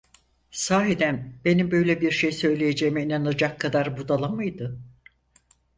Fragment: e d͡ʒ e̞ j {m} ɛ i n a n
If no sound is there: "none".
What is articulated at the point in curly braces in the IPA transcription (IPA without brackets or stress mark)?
m